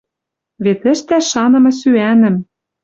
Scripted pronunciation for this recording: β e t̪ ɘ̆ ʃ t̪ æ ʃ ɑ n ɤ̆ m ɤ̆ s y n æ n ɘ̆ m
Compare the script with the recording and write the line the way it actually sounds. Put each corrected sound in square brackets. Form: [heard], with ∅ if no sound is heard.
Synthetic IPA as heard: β e t̪ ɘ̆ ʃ t̪ æ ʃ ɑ n ɤ̆ m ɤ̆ s y [∅] æ n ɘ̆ m